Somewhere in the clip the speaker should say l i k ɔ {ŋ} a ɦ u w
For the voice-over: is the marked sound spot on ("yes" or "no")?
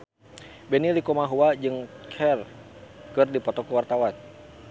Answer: no